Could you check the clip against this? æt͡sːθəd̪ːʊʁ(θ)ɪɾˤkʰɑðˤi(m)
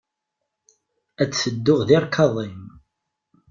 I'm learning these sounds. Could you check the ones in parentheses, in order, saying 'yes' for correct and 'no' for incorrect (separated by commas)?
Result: no, yes